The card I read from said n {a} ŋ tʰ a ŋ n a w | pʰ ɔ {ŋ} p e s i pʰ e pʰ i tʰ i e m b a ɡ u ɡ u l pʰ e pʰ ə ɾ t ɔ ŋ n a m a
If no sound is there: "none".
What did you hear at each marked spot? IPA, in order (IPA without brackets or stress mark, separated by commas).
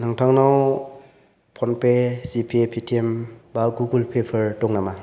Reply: a, n